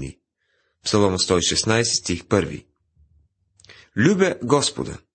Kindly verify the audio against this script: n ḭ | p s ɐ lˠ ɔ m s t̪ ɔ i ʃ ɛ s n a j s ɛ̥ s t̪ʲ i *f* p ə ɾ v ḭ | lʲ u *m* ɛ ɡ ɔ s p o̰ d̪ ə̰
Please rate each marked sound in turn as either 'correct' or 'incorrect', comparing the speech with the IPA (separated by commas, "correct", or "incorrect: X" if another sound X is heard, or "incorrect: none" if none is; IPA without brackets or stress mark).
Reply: incorrect: x, incorrect: b